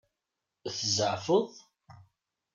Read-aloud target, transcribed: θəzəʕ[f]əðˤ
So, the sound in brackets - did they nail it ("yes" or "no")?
yes